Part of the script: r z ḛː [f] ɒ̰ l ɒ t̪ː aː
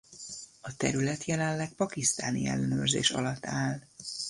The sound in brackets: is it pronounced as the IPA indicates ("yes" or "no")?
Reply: no